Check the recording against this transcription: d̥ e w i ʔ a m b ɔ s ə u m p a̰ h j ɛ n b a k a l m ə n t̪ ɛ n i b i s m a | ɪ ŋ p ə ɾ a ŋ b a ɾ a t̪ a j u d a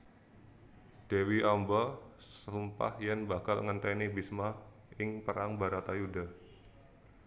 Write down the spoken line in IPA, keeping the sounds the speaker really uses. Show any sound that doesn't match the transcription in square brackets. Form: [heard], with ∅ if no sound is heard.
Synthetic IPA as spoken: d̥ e w i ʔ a m b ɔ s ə u m p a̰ h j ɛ n b a k a l [ŋ] ə n t̪ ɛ n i b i s m a | ɪ ŋ p ə ɾ a ŋ b a ɾ a t̪ a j u d a

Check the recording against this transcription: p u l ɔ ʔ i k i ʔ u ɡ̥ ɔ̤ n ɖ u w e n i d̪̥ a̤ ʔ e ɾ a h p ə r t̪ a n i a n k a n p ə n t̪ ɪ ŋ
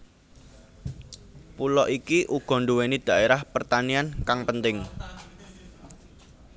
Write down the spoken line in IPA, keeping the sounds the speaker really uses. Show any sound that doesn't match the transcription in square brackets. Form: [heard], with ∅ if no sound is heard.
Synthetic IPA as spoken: p u l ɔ ʔ i k i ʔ u ɡ̥ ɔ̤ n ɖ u w e n i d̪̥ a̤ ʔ e ɾ a h p ə r t̪ a n i a n k a [ŋ] p ə n t̪ ɪ ŋ

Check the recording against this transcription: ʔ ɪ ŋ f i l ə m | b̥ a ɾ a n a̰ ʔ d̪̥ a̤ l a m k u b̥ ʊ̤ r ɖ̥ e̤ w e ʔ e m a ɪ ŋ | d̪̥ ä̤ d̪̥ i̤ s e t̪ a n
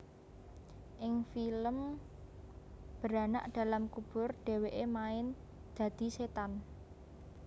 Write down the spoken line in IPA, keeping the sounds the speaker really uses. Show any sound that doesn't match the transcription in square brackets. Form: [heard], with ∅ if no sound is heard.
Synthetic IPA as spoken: ʔ ɪ ŋ f i l ə m | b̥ [ə] ɾ a n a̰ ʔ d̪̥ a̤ l a m k u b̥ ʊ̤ r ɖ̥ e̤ w e ʔ e m a ɪ [n] | d̪̥ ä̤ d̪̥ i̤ s e t̪ a n

